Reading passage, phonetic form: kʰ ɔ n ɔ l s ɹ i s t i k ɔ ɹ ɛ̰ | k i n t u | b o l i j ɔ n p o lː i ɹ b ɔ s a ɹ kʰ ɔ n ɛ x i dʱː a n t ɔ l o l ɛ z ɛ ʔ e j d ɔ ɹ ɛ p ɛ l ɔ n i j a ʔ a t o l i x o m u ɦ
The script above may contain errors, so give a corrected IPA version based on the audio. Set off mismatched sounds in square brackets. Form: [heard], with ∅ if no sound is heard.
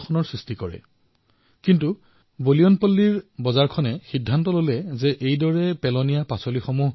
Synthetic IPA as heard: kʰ ɔ n ɔ [ɹ] s ɹ i s t i k ɔ ɹ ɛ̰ | k i n t u | b o l i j ɔ n p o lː i ɹ b ɔ [z] a ɹ kʰ ɔ n ɛ x i dʱː a n t ɔ l o l ɛ z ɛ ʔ e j d ɔ ɹ ɛ p ɛ l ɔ n i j a [p] a [s] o l i x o m u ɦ